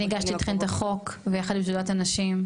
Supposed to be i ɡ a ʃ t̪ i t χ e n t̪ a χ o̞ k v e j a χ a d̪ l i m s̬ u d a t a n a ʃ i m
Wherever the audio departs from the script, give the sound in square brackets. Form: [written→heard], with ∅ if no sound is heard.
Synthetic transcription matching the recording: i ɡ a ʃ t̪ i t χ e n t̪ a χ o̞ k v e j a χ a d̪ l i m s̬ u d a t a n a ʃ i m

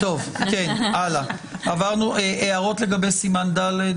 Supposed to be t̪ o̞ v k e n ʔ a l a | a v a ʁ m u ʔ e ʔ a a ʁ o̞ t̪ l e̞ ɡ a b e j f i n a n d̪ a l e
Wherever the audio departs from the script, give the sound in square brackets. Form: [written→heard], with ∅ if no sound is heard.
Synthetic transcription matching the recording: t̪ o̞ v k e n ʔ a l a | a v a ʁ [m→n] u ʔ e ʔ [a→e] a ʁ o̞ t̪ l e̞ ɡ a b e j [f→s] i [n→m] a n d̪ a l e

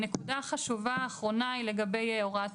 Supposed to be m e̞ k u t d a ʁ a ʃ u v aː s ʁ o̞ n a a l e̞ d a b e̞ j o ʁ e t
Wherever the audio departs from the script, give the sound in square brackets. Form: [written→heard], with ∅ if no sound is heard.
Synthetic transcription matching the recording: [m→n] e̞ k u [t→∅] d a [ʁ→χ] a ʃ u v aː [s→χ] ʁ o̞ n a [a→i] l e̞ [d→ɡ] a b e̞ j o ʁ [e→a] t

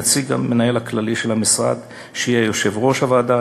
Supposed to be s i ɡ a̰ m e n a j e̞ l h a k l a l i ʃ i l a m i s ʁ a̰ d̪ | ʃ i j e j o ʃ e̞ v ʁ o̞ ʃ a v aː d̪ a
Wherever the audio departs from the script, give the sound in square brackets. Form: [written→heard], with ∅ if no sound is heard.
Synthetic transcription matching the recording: [s→t͡s] i ɡ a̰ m e n a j e̞ l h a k l a l i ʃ [i→e] l a m i s ʁ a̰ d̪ | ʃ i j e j o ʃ e̞ v ʁ o̞ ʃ a v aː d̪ a

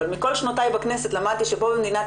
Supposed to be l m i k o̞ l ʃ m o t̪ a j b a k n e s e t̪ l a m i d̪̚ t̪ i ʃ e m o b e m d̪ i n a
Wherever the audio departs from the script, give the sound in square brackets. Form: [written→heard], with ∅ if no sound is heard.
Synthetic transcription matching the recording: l m i k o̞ l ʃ [m→n] o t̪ a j b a k n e s e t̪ l a m [i→a] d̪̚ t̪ i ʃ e [m→b] o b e m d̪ i n a

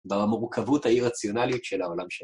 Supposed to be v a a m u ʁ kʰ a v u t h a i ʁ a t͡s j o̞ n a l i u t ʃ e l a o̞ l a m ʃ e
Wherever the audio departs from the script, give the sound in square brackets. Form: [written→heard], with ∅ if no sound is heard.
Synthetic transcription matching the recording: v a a m u ʁ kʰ a v u t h a i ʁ a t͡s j o̞ n a l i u t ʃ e l a o̞ l a m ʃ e

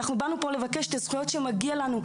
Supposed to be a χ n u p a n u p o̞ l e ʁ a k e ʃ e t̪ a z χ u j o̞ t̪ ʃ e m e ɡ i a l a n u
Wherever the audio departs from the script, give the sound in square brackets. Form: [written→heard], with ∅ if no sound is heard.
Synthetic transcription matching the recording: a χ n u [p→b] a n u p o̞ l e [ʁ→v] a k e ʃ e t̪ a z χ u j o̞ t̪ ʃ e m [e→a] ɡ i a l a n u

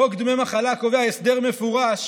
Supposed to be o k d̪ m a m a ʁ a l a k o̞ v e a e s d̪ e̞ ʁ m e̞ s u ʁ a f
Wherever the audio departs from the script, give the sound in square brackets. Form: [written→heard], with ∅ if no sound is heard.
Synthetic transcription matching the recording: o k d̪ m [a→e] m a [ʁ→χ] a l a k o̞ v e a e s d̪ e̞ ʁ m e̞ [s→f] u ʁ a [f→ʃ]

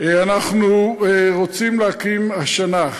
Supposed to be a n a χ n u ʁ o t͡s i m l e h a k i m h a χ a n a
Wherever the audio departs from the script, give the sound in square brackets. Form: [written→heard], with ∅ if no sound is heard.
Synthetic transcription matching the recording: a n a χ n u ʁ o t͡s i m l e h a k i m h a [χ→ʃ] a n a

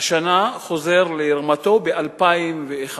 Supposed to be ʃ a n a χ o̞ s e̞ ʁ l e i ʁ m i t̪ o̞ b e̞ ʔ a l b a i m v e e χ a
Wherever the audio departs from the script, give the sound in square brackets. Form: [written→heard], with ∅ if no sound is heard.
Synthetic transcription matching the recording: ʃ a n a χ o̞ [s→z] e̞ ʁ l e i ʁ m [i→a] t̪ o̞ b e̞ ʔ a l [b→p] a i m v e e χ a

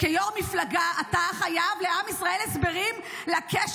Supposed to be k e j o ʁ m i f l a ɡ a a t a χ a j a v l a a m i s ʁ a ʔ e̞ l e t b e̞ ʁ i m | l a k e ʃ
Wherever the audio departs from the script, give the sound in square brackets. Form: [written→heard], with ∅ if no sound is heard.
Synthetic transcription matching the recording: k e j o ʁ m i f l a ɡ a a t a χ a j a v l [a→e] a m i s ʁ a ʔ e̞ l e [t→s] b e̞ ʁ i m | l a k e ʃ

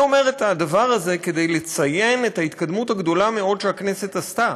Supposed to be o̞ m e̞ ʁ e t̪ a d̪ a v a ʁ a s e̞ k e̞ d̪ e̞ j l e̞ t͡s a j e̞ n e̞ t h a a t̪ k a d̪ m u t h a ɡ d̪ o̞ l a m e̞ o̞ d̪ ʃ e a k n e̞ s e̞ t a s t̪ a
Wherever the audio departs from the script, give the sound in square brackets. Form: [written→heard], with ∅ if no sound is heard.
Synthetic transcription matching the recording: o̞ m e̞ ʁ e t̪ a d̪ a v a ʁ a [s→z] e̞ k e̞ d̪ e̞ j l e̞ t͡s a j e̞ n e̞ t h a [a→i] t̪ k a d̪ m u t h a ɡ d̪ o̞ l a m e̞ o̞ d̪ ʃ e a k n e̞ s e̞ t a s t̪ a

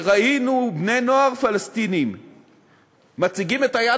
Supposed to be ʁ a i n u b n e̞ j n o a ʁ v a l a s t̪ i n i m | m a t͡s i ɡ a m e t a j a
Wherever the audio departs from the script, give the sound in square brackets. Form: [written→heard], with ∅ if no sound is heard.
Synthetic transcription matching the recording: ʁ a i n u b n e̞ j n o a ʁ [v→f] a l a s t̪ i n i m | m a t͡s i ɡ [a→i] m e t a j a

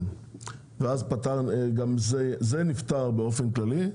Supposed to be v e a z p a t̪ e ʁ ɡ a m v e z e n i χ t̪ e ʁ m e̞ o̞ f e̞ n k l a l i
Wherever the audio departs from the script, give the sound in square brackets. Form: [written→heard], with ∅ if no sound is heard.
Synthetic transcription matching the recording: v e a z p a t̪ [e→a] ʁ ɡ a m [v→z] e z e n i [χ→f] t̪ [e→a] ʁ [m→b] e̞ o̞ f e̞ n k l a l i

